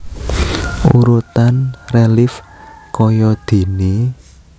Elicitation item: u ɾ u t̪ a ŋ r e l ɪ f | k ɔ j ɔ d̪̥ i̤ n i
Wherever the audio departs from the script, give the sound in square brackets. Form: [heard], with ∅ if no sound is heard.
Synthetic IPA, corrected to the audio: u ɾ u t̪ a [n] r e l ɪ f | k ɔ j ɔ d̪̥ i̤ n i